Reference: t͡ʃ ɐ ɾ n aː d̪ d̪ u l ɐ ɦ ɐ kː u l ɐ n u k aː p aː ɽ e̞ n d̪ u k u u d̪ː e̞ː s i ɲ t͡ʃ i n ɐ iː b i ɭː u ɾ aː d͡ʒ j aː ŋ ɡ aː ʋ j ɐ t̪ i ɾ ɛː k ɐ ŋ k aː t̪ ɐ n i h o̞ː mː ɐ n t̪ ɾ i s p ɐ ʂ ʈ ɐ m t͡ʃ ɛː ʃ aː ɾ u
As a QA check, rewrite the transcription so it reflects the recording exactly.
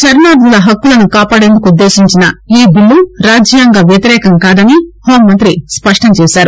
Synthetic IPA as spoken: t͡ʃ ɐ ɾ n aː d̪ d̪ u l ɐ ɦ ɐ kː u l ɐ n u k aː p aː ɽ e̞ n d̪ u k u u d̪ː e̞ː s i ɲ t͡ʃ i n ɐ iː b i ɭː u ɾ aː d͡ʒ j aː ŋ ɡ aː ʋ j ɐ t̪ i ɾ ɛː k ɐ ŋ k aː d̪ ɐ n i h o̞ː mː ɐ n t̪ ɾ i s p ɐ ʂ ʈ ɐ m t͡ʃ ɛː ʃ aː ɾ u